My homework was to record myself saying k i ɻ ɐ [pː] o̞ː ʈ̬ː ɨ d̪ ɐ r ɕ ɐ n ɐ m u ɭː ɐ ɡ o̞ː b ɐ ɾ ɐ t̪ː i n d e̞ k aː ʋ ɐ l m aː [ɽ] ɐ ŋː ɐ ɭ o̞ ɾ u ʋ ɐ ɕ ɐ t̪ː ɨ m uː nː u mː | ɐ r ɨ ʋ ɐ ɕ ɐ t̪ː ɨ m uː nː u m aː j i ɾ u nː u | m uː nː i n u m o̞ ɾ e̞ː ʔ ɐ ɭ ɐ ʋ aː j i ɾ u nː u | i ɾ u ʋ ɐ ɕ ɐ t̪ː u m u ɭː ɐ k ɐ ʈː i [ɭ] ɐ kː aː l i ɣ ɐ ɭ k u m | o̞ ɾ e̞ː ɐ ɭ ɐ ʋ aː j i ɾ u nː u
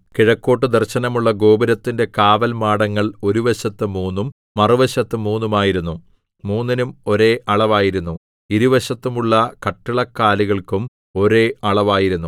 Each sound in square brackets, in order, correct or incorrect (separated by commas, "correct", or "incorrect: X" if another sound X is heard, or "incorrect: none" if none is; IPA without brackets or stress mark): incorrect: kː, correct, correct